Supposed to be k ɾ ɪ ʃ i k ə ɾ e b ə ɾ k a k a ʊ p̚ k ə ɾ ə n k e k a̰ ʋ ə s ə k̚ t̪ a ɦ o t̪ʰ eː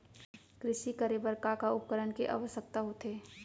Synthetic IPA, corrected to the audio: k ɾ ɪ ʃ i k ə ɾ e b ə ɾ k a k a ʊ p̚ k ə ɾ ə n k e ʔ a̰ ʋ ə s ə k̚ t̪ a ɦ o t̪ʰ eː